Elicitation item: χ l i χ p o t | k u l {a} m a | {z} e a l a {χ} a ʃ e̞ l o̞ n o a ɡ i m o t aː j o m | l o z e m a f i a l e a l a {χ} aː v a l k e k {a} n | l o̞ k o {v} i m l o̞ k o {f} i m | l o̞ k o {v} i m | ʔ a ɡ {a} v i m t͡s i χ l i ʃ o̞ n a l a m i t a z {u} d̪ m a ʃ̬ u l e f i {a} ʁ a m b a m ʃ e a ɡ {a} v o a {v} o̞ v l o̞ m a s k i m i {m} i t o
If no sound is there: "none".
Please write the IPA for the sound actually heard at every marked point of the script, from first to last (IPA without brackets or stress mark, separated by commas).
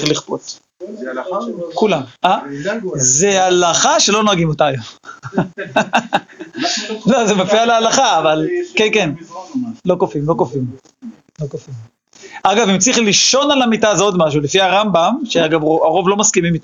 a, z, χ, χ, e, f, f, f, a, o, a, a, ʁ, m